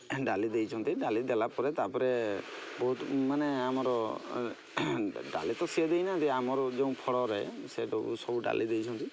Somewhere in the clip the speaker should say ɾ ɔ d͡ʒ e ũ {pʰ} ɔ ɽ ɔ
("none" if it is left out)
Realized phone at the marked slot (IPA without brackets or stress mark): pʰ